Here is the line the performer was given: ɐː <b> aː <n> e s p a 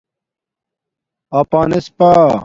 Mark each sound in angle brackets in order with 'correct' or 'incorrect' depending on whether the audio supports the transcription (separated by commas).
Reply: incorrect, correct